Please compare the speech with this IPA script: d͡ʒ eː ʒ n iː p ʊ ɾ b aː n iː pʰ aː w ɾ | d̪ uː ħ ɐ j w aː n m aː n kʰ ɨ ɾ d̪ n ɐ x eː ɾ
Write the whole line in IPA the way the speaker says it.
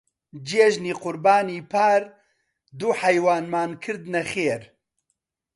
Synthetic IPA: d͡ʒ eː ʒ n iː q ʊ ɾ b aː n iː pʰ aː ɾ | d̪ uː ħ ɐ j w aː n m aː n kʰ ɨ ɾ d̪ n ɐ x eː ɾ

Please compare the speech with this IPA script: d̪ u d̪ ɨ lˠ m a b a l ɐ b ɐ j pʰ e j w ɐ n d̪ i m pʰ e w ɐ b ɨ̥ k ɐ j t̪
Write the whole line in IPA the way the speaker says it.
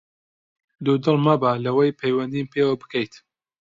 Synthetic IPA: d̪ u d̪ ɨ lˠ m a b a l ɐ w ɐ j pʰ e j w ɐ n d̪ i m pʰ e w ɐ b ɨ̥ k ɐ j t̪

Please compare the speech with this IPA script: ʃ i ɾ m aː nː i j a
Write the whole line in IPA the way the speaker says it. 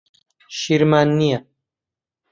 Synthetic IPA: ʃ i ɾ m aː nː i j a

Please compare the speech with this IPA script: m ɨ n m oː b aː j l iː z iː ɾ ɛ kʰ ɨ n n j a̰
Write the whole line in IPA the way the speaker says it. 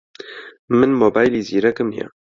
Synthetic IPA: m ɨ n m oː b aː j l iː z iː ɾ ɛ k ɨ m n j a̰

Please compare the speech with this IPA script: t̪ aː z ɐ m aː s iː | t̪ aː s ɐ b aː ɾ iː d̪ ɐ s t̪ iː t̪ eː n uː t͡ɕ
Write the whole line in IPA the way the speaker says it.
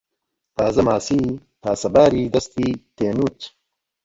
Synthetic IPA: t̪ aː z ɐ m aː s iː | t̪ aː s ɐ b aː ɾ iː d̪ ɐ s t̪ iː t̪ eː n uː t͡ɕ

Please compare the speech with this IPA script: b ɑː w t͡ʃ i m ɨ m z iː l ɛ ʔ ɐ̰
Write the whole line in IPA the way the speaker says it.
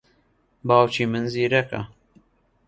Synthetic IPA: b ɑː w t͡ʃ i m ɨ n z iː ɾ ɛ k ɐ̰

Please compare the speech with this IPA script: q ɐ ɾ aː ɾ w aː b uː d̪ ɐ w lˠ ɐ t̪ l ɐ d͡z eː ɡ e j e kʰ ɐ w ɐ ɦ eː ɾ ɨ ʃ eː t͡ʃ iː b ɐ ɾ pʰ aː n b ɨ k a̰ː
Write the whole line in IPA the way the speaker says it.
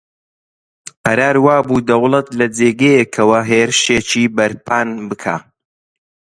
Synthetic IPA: q ɐ ɾ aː ɾ w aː b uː d̪ ɐ w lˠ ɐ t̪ l ɐ d͡z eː ɡ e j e kʰ ɐ w ɐ ɦ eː ɾ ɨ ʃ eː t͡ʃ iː b ɐ ɾ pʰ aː n b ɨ kʰ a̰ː

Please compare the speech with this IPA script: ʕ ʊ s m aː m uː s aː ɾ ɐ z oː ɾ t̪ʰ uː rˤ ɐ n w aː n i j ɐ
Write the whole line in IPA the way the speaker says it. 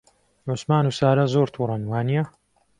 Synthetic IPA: ʕ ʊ s m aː n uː s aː ɾ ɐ z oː ɾ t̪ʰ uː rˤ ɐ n w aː n i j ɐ

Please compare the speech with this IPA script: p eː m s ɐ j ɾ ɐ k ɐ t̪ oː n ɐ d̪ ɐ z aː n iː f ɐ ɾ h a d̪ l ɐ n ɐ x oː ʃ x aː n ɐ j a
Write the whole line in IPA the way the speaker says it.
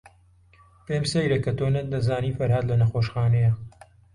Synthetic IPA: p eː m s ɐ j ɾ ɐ k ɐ t̪ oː n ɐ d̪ ɐ z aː n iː f ɐ ɾ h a d̪ l ɐ n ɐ x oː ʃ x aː n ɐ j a

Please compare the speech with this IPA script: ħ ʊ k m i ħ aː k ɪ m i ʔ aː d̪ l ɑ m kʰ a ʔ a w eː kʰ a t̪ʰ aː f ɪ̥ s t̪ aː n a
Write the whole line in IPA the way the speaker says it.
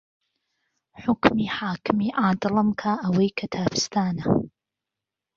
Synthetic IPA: ħ ʊ k m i ħ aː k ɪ m i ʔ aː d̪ l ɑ m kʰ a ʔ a w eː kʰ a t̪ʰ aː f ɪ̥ s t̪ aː n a

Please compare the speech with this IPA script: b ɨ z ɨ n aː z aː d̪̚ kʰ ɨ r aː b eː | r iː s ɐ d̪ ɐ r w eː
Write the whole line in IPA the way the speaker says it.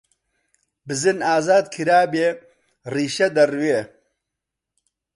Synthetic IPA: b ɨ z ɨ n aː z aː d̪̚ kʰ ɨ ɾ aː b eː | r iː ʃ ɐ d̪ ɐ r w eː

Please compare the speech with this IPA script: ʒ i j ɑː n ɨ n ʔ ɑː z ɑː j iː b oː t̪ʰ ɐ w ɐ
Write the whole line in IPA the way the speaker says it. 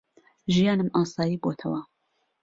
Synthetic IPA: ʒ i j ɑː n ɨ m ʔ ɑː s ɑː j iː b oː t̪ʰ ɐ w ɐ

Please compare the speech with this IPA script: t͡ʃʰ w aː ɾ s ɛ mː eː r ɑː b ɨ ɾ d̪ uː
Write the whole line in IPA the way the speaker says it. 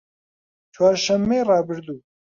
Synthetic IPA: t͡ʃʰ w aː ɾ ʃ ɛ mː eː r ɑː b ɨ ɾ d̪ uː

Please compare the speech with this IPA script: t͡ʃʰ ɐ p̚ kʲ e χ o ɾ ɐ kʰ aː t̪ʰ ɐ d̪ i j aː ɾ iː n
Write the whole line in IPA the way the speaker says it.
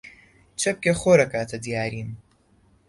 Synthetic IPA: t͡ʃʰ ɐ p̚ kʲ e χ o ɾ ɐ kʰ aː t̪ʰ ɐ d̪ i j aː ɾ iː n

